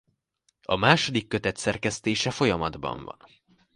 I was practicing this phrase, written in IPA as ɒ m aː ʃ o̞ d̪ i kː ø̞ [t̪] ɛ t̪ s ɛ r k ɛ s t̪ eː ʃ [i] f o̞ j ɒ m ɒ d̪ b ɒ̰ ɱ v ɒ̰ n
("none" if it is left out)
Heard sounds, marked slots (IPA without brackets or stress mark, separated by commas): t̪, ɛ